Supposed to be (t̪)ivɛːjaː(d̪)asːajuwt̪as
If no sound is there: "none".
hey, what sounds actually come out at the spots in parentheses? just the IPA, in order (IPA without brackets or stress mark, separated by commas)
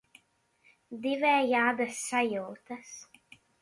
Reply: d̪, d̪